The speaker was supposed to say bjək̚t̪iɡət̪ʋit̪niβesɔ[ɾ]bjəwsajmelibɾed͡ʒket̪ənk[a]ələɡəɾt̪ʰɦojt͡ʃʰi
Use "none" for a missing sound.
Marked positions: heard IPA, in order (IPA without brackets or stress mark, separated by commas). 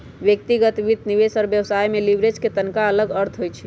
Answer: ɾ, a